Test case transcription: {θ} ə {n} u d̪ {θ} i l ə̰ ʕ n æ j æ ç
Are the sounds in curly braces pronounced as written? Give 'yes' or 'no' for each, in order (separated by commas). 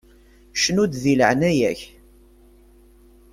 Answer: no, yes, no